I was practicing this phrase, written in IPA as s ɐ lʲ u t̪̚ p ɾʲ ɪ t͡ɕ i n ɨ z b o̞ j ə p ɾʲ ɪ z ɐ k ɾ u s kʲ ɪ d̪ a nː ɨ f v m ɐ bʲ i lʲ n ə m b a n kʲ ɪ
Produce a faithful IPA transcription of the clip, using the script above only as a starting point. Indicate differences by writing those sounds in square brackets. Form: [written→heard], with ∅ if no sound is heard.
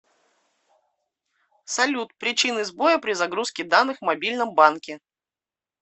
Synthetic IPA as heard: s ɐ lʲ u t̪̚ p ɾʲ ɪ t͡ɕ i n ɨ z b o̞ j ə p ɾʲ ɪ z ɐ [k→ɡ] ɾ u s kʲ ɪ d̪ a nː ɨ [f→x] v m ɐ bʲ i lʲ n ə m b a n kʲ ɪ